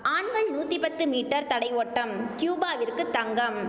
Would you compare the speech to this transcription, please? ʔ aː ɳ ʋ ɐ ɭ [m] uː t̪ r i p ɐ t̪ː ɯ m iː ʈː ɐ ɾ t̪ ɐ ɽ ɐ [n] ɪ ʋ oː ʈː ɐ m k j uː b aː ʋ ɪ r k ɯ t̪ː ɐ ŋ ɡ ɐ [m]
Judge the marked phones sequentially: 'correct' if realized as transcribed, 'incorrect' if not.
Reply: incorrect: n, incorrect: none, correct

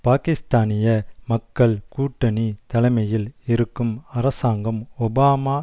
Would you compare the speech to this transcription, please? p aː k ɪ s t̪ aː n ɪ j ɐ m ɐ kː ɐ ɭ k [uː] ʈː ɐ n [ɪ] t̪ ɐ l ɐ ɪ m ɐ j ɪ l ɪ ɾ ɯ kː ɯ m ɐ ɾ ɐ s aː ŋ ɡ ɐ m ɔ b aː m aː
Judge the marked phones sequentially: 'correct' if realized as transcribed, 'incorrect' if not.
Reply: correct, incorrect: i

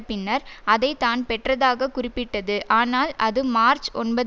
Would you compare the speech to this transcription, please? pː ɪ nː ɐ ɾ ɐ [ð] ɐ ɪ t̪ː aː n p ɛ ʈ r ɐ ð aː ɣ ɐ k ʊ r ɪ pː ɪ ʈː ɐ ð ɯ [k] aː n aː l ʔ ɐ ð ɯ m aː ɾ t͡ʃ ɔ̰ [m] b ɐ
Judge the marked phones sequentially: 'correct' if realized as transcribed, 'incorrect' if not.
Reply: correct, incorrect: ʔ, incorrect: n

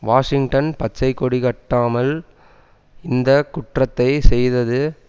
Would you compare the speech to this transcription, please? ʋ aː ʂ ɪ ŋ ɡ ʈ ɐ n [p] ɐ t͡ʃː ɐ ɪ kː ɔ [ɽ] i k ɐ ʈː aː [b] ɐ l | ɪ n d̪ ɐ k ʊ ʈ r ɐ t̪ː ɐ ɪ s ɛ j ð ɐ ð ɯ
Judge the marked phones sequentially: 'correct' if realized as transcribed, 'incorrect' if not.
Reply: correct, correct, incorrect: m

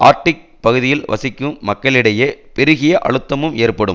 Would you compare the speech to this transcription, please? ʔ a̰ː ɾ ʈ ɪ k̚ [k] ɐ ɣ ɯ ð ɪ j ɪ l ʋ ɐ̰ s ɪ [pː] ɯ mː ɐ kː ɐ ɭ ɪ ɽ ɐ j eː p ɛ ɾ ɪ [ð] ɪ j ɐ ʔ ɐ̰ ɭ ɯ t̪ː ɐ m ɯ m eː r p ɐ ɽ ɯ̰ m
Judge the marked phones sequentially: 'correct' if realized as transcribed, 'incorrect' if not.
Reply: incorrect: p, incorrect: kː, incorrect: ɣ

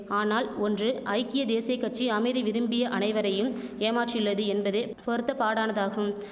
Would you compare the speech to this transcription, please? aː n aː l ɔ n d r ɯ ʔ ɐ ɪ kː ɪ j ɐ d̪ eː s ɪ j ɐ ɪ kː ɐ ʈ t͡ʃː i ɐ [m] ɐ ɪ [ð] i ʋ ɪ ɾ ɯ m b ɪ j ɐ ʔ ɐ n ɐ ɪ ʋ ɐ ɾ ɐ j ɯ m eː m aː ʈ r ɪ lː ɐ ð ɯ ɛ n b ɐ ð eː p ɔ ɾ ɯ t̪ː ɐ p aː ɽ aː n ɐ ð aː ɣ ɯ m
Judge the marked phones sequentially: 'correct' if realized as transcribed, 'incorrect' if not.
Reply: correct, correct

